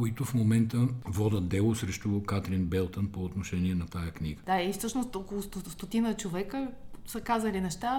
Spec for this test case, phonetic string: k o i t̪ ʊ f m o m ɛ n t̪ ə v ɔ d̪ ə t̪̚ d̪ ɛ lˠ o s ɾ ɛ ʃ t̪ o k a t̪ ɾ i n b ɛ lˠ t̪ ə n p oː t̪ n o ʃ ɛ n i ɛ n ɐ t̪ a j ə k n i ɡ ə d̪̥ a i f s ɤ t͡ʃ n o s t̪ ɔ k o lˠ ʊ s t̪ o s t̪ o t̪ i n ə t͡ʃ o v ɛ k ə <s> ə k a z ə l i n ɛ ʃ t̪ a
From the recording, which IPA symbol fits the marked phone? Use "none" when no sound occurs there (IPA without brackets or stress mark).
s